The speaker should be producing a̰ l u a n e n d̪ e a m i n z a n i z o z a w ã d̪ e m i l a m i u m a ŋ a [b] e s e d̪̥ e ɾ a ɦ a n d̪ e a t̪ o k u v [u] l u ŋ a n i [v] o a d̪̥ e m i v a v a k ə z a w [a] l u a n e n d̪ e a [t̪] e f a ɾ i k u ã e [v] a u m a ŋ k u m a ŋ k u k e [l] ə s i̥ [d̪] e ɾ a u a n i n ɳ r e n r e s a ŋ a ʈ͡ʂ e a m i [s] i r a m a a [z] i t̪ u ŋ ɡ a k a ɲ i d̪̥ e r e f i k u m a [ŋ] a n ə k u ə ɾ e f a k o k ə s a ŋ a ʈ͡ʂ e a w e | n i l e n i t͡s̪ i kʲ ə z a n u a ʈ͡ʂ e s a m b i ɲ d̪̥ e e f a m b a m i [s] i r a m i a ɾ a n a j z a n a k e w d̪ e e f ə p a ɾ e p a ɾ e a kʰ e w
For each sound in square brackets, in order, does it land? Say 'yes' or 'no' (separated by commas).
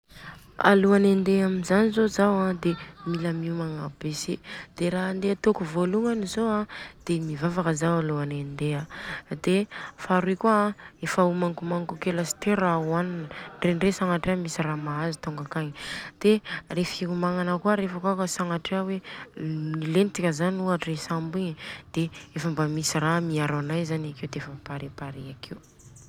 yes, no, no, yes, no, no, yes, no, yes, yes, yes, yes